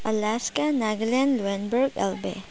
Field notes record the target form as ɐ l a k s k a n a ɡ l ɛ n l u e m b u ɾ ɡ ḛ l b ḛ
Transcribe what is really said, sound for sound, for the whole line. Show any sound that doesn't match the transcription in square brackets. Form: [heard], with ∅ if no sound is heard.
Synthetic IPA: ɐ l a [∅] s k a n a ɡ l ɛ n l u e [n] b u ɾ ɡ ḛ l b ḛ